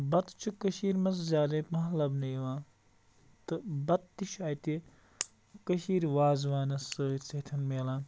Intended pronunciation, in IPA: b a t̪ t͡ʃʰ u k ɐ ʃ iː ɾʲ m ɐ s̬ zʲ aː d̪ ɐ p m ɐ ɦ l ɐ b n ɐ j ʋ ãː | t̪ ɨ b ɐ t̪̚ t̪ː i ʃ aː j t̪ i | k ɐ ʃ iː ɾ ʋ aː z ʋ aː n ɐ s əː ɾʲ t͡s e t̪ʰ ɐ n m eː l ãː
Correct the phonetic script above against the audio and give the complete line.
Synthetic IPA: b ɐ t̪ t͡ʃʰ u k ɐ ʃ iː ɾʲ m ɐ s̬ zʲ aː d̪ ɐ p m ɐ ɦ l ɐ b n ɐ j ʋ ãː | t̪ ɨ b ɐ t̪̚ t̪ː i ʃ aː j t̪ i | k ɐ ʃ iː ɾ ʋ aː z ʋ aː n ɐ s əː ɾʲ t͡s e t̪ʰ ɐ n m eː l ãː